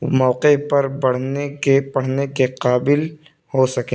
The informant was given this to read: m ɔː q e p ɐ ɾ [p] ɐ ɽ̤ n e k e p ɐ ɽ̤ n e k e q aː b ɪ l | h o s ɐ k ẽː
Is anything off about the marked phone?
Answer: yes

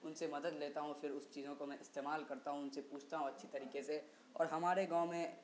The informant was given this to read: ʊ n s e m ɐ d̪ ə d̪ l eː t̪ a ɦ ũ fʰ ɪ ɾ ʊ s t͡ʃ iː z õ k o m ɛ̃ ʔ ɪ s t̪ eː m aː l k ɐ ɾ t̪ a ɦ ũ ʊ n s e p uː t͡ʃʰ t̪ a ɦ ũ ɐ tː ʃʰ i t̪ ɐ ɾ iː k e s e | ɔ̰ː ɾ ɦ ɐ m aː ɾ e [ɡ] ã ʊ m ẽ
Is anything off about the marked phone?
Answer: no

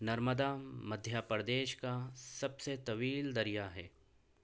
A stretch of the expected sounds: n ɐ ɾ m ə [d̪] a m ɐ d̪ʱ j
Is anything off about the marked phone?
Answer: no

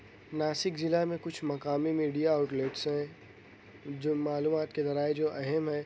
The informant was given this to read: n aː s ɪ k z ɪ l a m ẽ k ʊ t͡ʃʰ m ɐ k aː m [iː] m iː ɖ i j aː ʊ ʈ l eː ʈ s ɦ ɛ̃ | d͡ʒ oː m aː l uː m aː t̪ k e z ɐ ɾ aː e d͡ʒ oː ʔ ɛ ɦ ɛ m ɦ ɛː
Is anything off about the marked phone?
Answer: yes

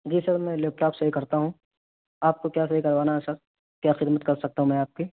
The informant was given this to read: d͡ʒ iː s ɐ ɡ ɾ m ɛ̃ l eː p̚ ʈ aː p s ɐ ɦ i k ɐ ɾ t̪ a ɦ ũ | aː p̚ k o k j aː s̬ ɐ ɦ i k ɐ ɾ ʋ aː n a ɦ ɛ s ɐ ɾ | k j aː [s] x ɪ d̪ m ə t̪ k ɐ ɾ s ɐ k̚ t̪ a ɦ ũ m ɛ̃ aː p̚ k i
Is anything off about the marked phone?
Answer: yes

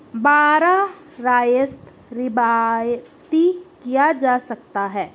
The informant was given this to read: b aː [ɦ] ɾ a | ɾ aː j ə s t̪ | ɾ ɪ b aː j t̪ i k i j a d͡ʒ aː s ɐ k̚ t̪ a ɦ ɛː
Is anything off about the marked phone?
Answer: yes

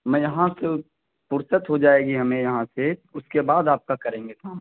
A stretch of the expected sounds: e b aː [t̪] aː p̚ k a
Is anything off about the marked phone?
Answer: yes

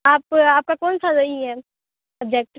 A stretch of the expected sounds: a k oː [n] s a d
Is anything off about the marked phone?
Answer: no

